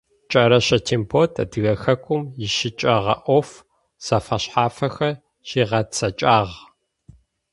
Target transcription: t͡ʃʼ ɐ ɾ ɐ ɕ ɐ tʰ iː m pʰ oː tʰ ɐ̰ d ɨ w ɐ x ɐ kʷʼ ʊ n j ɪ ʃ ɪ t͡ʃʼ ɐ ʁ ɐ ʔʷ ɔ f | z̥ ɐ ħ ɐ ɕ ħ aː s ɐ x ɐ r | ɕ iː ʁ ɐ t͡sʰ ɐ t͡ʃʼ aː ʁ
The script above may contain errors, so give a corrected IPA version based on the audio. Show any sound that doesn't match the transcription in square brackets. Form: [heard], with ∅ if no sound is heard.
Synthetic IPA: t͡ʃʼ ɐ ɾ ɐ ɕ ɐ tʰ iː m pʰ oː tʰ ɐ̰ d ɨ [ɣ] ɐ x ɐ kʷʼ ʊ [m] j ɪ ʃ ɪ t͡ʃʼ ɐ ʁ ɐ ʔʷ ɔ f | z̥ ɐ [f] ɐ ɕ ħ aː [f] ɐ x ɐ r | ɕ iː ʁ ɐ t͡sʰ ɐ t͡ʃʼ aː ʁ

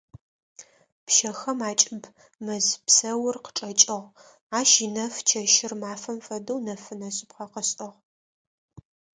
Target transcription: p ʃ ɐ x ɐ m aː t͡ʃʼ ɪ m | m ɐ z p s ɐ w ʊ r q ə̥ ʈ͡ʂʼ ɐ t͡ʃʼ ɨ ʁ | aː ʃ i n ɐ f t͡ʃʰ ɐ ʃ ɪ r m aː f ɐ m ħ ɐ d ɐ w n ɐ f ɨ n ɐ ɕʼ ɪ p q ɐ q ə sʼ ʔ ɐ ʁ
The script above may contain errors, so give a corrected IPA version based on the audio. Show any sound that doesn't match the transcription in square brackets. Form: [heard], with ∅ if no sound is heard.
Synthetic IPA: p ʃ ɐ x ɐ m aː t͡ʃʼ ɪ [b] | m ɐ z p s ɐ w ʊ r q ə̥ ʈ͡ʂʼ ɐ t͡ʃʼ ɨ ʁ | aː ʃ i n ɐ f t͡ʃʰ ɐ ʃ ɪ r m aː f ɐ m [f] ɐ d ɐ w n ɐ f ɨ n ɐ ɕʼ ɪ p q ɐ q ə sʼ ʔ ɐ ʁ

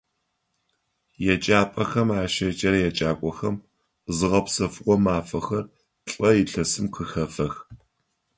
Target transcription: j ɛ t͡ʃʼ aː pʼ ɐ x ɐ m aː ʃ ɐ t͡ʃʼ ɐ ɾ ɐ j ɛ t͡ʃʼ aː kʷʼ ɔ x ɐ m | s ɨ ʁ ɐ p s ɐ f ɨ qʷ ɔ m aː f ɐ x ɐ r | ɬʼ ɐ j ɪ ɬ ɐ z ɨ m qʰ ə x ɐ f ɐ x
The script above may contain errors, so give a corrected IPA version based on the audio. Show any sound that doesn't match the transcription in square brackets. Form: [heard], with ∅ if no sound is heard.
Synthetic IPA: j ɛ t͡ʃʼ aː pʼ ɐ x ɐ m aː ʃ ɐ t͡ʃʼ ɐ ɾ ɐ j ɛ t͡ʃʼ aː kʷʼ ɔ x ɐ m | [z] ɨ ʁ ɐ p s ɐ f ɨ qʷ ɔ m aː f ɐ x ɐ r | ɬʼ ɐ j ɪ ɬ ɐ [s] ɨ m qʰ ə x ɐ f ɐ x

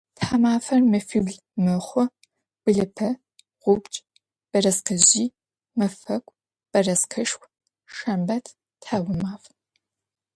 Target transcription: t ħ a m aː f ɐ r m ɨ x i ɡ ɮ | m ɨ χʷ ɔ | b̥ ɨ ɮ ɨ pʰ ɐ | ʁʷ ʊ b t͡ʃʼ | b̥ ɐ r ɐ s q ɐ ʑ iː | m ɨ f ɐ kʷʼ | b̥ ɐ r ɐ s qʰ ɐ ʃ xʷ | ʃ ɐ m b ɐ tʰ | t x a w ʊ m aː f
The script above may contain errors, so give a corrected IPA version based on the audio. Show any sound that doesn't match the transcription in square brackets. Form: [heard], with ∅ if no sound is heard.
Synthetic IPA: t ħ a m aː f ɐ r m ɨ [f] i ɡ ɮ | m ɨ χʷ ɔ | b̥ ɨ ɮ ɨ pʰ ɐ | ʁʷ ʊ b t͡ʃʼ | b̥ ɐ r ɐ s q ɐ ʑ iː | m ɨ f ɐ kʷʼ | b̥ ɐ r ɐ s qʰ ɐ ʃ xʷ | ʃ ɐ m b ɐ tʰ | t [ħ] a w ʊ m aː f

